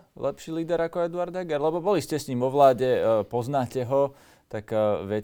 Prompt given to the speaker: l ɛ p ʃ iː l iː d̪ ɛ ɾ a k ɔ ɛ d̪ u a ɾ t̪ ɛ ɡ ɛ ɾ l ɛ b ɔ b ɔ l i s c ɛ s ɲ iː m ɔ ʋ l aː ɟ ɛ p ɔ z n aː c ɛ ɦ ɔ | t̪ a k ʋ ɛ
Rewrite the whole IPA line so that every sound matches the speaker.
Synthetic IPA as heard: l ɛ p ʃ iː l iː d̪ ɛ ɾ a k ɔ ɛ d̪ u a ɾ d̪ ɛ ɡ ɛ ɾ l ɛ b ɔ b ɔ l i s c ɛ s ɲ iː m ɔ ʋ l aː ɟ ɛ p ɔ z n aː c ɛ ɦ ɔ | t̪ a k ʋ ɛ